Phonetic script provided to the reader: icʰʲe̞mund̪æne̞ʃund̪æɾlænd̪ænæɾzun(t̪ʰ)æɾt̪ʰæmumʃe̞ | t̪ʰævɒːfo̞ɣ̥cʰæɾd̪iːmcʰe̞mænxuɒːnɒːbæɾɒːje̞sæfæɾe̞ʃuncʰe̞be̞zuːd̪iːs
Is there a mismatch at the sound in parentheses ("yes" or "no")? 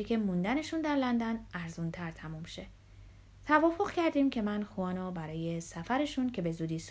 no